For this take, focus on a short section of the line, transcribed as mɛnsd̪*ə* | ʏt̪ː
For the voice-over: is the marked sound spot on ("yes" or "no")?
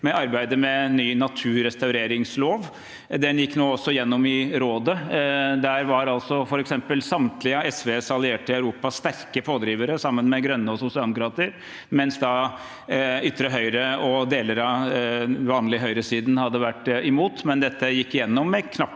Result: no